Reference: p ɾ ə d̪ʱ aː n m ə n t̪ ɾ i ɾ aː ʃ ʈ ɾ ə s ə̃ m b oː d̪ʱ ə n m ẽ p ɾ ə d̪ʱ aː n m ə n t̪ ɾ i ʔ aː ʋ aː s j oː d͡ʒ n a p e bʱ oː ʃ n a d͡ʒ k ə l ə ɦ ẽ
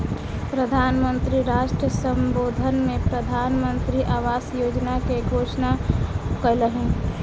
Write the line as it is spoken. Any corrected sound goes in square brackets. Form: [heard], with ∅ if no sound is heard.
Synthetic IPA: p ɾ ə d̪ʱ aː n m ə n t̪ ɾ i ɾ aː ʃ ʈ ɾ ə s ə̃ m b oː d̪ʱ ə n m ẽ p ɾ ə d̪ʱ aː n m ə n t̪ ɾ i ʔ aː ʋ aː s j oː d͡ʒ n a [k] e [ɡʱ] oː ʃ n a [∅] k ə l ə ɦ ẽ